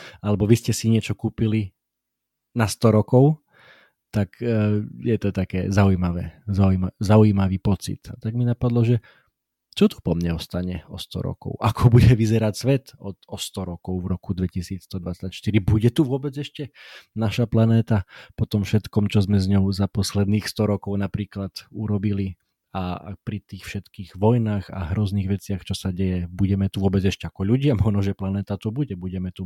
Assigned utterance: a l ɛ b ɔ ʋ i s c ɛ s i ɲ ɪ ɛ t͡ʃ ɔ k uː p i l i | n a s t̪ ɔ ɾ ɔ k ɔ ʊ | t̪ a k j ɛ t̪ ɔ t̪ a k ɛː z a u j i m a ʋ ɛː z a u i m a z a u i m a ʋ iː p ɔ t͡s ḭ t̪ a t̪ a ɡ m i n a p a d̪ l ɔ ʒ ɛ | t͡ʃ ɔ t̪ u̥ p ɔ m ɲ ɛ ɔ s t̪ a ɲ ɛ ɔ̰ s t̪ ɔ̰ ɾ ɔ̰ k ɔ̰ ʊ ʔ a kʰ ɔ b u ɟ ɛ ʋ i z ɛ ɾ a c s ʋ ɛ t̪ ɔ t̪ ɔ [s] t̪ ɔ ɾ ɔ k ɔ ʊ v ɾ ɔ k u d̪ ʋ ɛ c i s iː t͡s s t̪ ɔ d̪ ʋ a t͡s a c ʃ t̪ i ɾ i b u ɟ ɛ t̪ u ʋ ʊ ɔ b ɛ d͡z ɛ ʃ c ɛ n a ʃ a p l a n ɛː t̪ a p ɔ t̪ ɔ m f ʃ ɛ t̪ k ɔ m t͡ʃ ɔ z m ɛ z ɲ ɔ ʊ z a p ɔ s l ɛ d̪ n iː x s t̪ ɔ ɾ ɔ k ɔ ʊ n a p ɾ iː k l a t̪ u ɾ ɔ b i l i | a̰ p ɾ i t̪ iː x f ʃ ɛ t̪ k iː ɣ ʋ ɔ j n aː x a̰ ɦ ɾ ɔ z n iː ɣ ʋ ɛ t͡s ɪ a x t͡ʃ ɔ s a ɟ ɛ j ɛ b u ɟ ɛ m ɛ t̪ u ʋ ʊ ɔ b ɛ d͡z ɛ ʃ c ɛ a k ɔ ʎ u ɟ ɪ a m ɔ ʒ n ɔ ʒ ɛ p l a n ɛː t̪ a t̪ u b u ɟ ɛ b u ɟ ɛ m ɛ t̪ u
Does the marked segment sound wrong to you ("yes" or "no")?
no